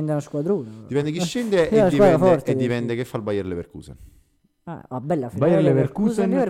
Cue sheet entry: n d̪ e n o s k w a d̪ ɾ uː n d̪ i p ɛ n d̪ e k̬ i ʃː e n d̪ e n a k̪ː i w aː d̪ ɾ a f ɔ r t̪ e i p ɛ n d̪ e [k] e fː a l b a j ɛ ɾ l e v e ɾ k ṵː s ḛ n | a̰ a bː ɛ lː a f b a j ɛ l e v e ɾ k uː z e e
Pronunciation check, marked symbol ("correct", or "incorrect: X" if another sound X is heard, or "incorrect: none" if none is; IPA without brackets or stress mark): correct